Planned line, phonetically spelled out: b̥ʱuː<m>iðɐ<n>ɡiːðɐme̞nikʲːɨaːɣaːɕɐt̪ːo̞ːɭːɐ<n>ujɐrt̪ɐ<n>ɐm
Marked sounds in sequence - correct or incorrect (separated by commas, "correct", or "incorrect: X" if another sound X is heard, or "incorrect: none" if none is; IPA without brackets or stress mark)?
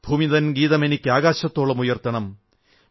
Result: correct, correct, incorrect: m, incorrect: ɳ